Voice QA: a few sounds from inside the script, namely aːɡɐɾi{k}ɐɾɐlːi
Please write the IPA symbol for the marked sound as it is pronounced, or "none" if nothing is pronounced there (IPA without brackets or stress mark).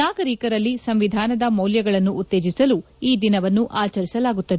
k